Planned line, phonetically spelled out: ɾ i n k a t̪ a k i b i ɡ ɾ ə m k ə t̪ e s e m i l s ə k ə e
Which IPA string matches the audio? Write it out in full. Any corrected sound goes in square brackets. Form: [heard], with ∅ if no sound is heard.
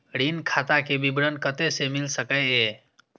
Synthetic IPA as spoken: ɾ i n [kʰ] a t̪ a k [e] b i [b] ɾ ə [n] k ə t̪ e s e m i l s ə k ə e